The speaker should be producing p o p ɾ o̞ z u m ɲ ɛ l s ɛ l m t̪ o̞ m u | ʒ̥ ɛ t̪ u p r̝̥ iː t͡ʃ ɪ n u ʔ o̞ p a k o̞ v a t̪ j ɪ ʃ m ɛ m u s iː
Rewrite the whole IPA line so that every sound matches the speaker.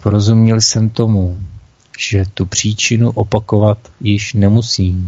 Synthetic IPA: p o ɾ o̞ z u m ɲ ɛ l s ɛ m t̪ o̞ m u | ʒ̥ ɛ t̪ u p r̝̥ iː t͡ʃ ɪ n u ʔ o̞ p a k o̞ v a t̪ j ɪ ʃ n ɛ m u s iː